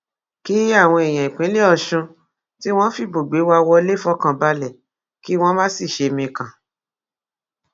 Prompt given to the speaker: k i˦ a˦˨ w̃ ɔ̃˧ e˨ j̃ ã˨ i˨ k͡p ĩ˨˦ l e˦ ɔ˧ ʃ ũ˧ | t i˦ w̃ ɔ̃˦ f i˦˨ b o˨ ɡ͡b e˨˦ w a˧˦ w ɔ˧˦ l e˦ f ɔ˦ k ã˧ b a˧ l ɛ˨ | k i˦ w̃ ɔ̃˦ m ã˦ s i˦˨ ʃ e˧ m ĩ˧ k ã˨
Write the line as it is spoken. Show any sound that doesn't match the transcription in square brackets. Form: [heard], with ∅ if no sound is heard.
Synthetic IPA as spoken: k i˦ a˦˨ w̃ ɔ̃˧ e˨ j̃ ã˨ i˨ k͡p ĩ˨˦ l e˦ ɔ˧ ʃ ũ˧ | t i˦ w̃ ɔ̃˦ f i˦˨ b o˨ ɡ͡b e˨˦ w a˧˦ w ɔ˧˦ l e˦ f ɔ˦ k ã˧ b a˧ l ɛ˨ | k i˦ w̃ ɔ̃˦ m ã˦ s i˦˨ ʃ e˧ m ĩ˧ k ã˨